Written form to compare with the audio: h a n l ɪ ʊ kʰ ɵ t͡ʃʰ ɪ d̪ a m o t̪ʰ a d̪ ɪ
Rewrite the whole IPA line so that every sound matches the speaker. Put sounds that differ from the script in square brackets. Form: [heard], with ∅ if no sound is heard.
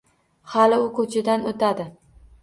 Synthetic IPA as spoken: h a [∅] l ɪ ʊ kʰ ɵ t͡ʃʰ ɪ d̪ a [n] o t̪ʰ a d̪ ɪ

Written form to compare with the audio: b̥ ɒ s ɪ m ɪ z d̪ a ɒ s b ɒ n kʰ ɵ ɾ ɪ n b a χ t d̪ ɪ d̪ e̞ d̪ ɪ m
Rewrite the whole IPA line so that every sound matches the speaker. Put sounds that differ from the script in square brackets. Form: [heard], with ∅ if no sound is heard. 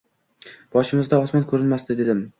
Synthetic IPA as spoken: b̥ ɒ [ʃ] ɪ m ɪ z d̪ a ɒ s [m] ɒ n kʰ ɵ ɾ ɪ n [m] a [s] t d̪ ɪ d̪ e̞ d̪ ɪ m

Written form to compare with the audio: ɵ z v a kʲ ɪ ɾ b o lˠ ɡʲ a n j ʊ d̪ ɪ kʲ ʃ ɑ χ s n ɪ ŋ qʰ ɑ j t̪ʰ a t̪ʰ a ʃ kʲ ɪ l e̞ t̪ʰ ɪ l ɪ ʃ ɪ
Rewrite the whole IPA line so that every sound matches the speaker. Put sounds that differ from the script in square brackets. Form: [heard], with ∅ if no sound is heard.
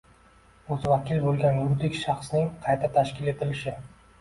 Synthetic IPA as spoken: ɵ z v a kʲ ɪ [l] b o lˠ ɡʲ a n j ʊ d̪ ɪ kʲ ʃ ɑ χ s n ɪ ŋ qʰ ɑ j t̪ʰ a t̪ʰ a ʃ kʲ ɪ l e̞ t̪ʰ ɪ l ɪ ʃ ɪ

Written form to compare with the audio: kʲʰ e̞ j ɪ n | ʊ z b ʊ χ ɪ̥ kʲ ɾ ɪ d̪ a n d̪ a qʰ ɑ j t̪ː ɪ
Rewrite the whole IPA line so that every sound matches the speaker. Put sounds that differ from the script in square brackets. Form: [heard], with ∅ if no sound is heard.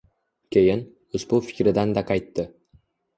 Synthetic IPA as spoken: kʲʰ e̞ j ɪ n | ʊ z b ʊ [f] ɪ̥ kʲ ɾ ɪ d̪ a n d̪ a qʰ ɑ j t̪ː ɪ

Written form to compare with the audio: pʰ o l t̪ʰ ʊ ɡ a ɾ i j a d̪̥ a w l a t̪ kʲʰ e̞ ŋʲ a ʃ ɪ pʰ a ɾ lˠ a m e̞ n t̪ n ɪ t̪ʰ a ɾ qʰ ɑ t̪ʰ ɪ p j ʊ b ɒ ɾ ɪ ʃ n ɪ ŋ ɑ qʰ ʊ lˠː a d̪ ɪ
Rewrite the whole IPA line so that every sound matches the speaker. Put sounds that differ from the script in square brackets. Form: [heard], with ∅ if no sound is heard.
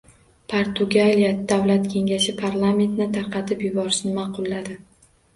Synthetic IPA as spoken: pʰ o [ɾ] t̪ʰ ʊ ɡ a [l] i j a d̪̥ a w l a t̪ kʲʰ e̞ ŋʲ a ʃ ɪ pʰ a ɾ lˠ a m e̞ n t̪ n ɪ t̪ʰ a ɾ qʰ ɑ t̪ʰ ɪ p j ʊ b ɒ ɾ ɪ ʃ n ɪ [m] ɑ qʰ ʊ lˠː a d̪ ɪ

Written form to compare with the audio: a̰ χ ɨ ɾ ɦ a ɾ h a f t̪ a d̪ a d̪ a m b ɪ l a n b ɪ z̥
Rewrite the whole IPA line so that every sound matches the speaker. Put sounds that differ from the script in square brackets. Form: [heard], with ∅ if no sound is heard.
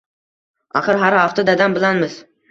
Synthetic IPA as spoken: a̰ χ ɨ ɾ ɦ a ɾ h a f t̪ a d̪ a d̪ a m b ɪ l a n [m] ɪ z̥

